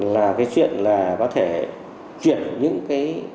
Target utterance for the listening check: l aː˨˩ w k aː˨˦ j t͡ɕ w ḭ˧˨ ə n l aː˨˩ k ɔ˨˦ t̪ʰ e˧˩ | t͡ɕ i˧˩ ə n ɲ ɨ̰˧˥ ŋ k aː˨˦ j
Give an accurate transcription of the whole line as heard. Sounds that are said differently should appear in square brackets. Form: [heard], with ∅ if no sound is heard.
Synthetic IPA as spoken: l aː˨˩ [∅] k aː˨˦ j t͡ɕ w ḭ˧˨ ə n l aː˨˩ k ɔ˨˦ t̪ʰ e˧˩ | t͡ɕ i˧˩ ə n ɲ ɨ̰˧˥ ŋ k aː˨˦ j